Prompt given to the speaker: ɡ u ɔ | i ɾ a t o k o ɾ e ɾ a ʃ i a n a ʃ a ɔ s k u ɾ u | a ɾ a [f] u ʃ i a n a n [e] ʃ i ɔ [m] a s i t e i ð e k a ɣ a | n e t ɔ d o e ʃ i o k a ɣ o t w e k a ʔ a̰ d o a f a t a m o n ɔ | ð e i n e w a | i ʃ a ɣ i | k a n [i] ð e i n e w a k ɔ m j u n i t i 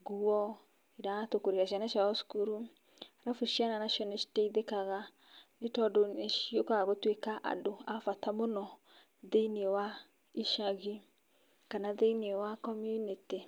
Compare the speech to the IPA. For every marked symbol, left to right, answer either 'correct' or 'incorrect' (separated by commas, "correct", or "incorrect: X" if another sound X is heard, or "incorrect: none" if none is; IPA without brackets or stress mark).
correct, incorrect: a, incorrect: n, incorrect: a